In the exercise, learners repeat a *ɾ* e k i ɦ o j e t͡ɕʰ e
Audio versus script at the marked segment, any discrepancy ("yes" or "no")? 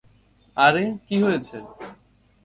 no